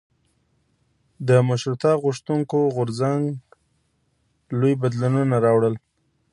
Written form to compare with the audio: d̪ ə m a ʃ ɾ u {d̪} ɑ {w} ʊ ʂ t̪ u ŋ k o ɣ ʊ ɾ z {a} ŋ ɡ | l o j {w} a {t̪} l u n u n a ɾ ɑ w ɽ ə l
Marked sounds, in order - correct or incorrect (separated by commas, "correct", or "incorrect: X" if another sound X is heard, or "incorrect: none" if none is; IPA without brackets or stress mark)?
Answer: incorrect: t̪, incorrect: ɣ, correct, incorrect: b, incorrect: d̪